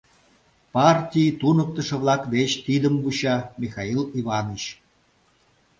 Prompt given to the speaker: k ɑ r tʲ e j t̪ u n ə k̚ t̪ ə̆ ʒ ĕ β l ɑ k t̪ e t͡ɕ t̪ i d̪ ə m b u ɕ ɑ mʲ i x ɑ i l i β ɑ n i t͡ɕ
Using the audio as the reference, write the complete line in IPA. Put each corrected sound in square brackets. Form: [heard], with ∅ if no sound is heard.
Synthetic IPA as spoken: [p] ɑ r tʲ [i] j t̪ u n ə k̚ t̪ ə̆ [ʃ] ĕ β l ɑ k [d̪] e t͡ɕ t̪ i d̪ ə m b u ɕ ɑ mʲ i x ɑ i l i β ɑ n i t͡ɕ